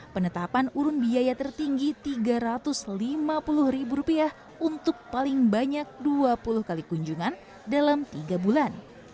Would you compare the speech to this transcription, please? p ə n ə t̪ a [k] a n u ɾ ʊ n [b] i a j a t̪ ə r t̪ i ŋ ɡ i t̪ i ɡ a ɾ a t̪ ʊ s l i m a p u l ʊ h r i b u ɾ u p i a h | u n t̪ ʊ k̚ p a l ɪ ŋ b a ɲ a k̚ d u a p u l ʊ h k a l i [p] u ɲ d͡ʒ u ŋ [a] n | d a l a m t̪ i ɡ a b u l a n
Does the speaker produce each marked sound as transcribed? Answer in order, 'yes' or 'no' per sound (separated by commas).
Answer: no, yes, no, yes